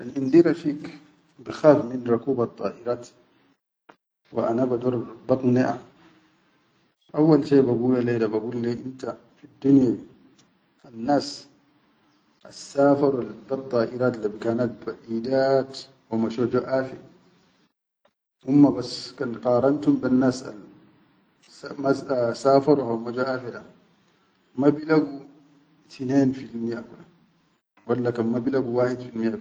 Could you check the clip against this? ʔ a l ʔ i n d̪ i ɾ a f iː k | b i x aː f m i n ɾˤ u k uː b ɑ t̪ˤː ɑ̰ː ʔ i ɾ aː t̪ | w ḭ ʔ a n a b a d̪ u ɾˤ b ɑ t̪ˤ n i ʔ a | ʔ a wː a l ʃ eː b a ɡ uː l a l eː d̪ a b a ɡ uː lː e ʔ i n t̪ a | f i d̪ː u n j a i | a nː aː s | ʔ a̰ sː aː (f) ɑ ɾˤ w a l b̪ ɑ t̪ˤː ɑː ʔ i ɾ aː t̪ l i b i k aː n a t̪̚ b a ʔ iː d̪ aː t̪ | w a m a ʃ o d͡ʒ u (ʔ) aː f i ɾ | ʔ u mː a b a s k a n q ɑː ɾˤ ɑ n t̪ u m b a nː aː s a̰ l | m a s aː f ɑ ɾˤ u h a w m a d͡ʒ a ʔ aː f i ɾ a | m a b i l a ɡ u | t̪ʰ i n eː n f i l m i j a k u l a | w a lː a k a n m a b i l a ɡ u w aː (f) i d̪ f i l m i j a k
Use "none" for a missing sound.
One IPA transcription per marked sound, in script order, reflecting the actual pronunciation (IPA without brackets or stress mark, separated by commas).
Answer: f, ʔ, ħ